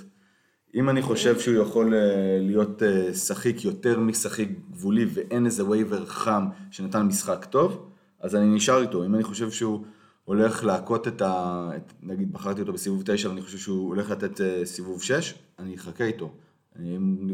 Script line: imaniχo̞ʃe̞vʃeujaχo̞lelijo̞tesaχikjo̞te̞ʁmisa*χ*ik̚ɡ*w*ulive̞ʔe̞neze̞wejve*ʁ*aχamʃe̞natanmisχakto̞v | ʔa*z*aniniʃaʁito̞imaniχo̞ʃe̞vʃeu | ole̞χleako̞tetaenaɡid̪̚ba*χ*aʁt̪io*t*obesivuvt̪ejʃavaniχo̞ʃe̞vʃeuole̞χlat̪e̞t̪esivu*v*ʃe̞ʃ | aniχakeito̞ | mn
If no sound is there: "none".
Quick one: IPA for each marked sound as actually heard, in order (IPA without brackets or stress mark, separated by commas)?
χ, v, ʁ, z, χ, t, v